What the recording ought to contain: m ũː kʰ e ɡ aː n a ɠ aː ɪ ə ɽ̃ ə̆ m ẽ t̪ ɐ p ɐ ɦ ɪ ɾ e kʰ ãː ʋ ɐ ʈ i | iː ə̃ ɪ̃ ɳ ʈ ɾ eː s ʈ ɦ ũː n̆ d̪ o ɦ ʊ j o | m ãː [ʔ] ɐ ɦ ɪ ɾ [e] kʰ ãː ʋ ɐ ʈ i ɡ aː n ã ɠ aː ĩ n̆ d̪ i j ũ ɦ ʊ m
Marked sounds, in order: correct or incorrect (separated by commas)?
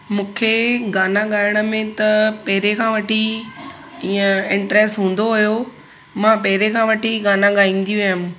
incorrect, correct